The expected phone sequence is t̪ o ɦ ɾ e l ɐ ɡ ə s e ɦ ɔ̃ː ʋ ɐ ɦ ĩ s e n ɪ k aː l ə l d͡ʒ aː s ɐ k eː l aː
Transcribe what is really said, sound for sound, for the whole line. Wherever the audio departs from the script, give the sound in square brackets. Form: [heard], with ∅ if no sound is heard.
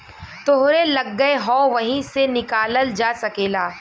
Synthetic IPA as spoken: t̪ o ɦ ɾ e l ɐ [ɡː] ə [∅] e ɦ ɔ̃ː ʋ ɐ ɦ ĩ s e n ɪ k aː l ə l d͡ʒ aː s ɐ k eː l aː